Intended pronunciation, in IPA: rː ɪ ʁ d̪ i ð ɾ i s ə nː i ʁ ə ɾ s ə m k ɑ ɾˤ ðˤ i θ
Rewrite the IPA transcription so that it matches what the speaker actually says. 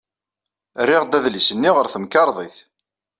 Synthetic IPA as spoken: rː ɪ ʁ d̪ æ ð l i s ə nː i ʁ ə ɾ θ ə m k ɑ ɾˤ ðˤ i θ